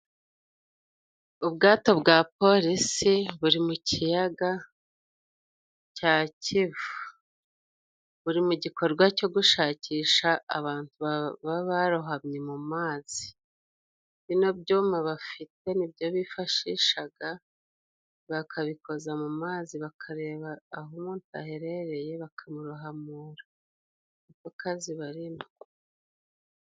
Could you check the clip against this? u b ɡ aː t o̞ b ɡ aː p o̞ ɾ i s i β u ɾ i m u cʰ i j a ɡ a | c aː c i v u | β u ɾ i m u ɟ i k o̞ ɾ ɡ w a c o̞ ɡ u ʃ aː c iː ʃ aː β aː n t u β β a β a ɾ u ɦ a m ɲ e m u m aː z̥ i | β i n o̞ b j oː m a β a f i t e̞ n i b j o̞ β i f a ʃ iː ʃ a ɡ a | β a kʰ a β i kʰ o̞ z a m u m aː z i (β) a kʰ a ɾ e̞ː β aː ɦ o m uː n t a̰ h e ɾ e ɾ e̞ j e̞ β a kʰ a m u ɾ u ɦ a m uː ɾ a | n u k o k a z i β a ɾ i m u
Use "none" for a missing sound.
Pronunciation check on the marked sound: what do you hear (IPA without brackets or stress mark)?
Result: β